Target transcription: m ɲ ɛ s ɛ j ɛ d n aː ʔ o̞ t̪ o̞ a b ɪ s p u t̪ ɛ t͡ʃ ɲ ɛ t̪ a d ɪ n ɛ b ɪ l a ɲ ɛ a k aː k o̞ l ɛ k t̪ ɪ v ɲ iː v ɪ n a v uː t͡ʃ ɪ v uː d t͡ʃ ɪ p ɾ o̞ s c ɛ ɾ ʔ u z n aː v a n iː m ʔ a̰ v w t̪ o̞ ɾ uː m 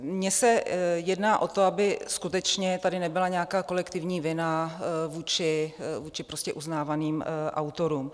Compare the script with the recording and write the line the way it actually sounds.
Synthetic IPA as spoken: m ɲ ɛ s ɛ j ɛ d n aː ʔ o̞ t̪ o̞ a b ɪ s k u t̪ ɛ t͡ʃ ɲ ɛ t̪ a d ɪ n ɛ b ɪ l a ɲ ɛ a k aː k o̞ l ɛ k t̪ ɪ v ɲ iː v ɪ n a v uː t͡ʃ ɪ v uː t͡ʃ ɪ p ɾ o̞ s c ɛ ʔ u z n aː v a n iː m ʔ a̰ w t̪ o̞ ɾ uː m